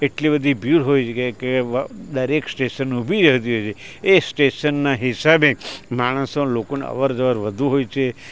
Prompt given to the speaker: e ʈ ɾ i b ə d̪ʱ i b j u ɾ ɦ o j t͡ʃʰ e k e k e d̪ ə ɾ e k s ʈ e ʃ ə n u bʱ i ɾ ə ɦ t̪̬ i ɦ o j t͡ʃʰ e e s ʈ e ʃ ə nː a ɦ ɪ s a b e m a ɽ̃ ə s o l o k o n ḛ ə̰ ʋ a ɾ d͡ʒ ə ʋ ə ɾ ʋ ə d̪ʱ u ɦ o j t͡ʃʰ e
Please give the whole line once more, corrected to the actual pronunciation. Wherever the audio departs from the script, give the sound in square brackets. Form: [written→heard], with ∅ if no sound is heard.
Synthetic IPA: e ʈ [ɾ→l] i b ə d̪ʱ i b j u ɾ ɦ o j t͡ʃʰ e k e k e d̪ ə ɾ e k s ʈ e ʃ ə n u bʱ i ɾ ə ɦ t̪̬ i ɦ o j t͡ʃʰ e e s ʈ e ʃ ə nː a ɦ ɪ s a b e m a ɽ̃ ə s o l o k o n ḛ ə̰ ʋ [a→ə] ɾ d͡ʒ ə ʋ ə ɾ ʋ ə d̪ʱ u ɦ o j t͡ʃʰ e